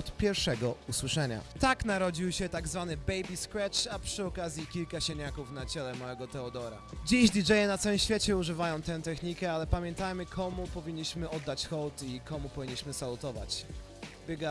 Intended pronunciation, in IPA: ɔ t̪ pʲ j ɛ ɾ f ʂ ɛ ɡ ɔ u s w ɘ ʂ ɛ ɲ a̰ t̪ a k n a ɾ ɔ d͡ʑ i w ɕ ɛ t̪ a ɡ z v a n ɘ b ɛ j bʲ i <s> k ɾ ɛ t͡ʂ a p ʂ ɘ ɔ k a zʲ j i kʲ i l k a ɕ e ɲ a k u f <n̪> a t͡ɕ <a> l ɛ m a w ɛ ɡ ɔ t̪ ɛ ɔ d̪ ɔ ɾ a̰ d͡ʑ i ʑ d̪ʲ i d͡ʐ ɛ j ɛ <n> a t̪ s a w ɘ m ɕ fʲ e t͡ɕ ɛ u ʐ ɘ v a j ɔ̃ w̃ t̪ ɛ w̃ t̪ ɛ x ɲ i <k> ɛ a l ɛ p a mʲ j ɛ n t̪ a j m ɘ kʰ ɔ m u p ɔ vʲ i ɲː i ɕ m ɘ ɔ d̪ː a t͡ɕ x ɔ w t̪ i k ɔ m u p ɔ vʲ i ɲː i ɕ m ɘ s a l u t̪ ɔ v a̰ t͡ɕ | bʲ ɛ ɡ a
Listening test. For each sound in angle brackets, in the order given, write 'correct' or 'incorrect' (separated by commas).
correct, correct, incorrect, correct, correct